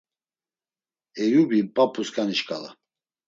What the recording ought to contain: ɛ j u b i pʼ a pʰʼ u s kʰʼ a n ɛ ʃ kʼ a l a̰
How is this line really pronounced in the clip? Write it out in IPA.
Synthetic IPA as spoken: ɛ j u b i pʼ a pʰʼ u s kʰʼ a n i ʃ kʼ a l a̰